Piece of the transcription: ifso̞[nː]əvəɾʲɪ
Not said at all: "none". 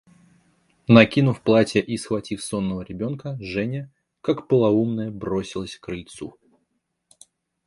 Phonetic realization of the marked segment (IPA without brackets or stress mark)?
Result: nː